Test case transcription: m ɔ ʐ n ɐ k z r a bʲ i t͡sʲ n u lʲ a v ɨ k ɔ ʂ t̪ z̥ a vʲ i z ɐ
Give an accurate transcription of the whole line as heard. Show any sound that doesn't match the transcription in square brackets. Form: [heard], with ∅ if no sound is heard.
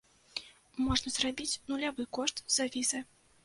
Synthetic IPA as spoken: m ɔ ʐ n ɐ [∅] z r a bʲ i t͡sʲ n u lʲ a v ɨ k ɔ ʂ t̪ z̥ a vʲ i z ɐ

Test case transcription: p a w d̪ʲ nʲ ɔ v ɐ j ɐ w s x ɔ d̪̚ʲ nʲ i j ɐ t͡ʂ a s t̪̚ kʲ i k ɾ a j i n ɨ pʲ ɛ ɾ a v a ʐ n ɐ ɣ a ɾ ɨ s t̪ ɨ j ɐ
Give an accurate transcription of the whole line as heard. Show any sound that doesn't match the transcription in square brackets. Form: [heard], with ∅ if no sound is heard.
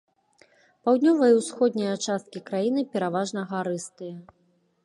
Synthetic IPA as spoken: p a w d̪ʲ nʲ ɔ v ɐ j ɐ w s x ɔ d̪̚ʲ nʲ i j ɐ t͡ʂ a s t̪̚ kʲ i k ɾ a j i n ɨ pʲ ɛ ɾ a v a ʐ n ɐ ɣ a ɾ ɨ s t̪ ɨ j ɐ

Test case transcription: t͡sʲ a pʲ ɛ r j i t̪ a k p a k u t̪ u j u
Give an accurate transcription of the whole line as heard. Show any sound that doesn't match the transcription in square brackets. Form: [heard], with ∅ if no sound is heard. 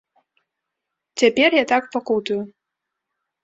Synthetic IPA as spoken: t͡sʲ a pʲ ɛ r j [a] t̪ a k p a k u t̪ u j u

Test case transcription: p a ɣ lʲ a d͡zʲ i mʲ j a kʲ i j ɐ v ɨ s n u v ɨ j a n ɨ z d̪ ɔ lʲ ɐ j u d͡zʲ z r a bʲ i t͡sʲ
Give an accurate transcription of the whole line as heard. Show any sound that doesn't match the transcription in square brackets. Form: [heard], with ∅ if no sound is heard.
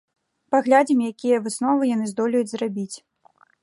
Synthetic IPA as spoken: p a ɣ lʲ a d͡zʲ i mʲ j a kʲ i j ɐ v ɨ s n [ɔ] v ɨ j a n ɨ z d̪ ɔ lʲ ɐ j u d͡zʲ z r a bʲ i t͡sʲ

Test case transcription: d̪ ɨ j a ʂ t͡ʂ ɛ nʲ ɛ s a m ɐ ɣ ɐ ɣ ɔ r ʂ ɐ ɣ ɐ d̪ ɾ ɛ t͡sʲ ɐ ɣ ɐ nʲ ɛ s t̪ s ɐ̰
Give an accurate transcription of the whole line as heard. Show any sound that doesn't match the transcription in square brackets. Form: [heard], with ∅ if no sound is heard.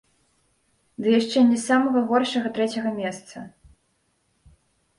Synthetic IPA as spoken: d̪ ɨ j a ʂ t͡ʂ ɛ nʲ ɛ s a m ɐ ɣ ɐ ɣ ɔ r ʂ ɐ ɣ ɐ [t̪] ɾ ɛ t͡sʲ ɐ ɣ ɐ [mʲ] ɛ s t̪ s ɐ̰

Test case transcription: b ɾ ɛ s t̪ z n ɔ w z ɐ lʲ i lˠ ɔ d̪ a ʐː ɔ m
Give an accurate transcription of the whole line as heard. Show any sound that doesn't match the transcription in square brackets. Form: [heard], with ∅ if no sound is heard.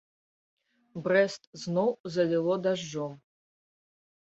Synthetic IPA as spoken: b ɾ ɛ s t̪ z n ɔ w z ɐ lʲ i lˠ ɔ d̪ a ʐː ɔ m

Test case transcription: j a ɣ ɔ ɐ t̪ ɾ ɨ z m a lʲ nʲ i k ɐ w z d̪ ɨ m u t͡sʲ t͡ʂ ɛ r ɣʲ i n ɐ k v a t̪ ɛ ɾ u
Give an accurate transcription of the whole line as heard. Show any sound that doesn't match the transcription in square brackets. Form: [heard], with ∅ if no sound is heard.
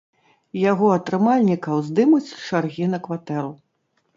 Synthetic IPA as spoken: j a ɣ ɔ ɐ t̪ ɾ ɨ [∅] m a lʲ nʲ i k ɐ w z d̪ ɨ m u t͡sʲ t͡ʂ [a] r ɣʲ i n ɐ k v a t̪ ɛ ɾ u

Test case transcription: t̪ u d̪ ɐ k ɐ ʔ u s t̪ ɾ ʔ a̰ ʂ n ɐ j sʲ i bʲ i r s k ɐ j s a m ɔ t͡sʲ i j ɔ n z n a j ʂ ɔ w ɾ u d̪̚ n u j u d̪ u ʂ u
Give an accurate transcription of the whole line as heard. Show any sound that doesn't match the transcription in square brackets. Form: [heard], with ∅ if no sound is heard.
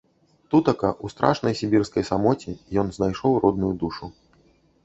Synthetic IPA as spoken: t̪ u [t̪] ɐ k ɐ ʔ u s t̪ ɾ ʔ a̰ ʂ n ɐ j sʲ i bʲ i r s k ɐ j s a m ɔ t͡sʲ i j ɔ n z n a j ʂ ɔ w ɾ [ɔ] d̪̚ n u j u d̪ u ʂ u

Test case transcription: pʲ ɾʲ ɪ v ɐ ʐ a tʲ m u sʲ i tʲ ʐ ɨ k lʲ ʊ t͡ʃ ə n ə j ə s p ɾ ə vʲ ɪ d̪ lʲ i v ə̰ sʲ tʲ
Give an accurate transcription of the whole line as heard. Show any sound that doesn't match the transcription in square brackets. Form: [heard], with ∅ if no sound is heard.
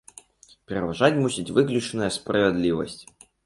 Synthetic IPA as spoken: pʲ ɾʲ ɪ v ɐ ʐ a tʲ m u sʲ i tʲ [v] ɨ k lʲ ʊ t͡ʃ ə n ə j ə s p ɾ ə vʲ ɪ d̪ lʲ i v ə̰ sʲ tʲ

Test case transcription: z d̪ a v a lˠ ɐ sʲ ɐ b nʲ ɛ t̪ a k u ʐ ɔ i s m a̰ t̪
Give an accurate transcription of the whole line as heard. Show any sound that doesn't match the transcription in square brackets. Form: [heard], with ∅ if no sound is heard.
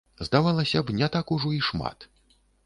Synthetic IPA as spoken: z d̪ a v a lˠ ɐ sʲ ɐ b nʲ ɛ t̪ a k u ʐ ɔ i [ʂ] m a̰ t̪

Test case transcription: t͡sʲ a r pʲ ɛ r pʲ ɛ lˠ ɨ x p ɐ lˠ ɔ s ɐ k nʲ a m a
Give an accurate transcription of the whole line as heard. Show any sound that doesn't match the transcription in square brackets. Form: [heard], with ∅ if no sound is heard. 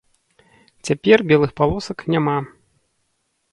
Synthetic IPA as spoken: t͡sʲ a [∅] pʲ ɛ r [bʲ] ɛ lˠ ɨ x p [a] lˠ ɔ s ɐ k nʲ a m a

